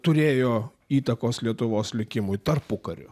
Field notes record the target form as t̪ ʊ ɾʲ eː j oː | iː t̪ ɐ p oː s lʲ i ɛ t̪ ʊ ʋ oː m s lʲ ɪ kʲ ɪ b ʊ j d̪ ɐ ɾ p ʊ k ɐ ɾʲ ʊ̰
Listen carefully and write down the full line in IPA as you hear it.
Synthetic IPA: t̪ ʊ ɾʲ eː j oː | iː t̪ ɐ k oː s lʲ i ɛ t̪ ʊ ʋ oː s lʲ ɪ kʲ ɪ m ʊ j t̪ ɐ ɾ p ʊ k ɐ ɾʲ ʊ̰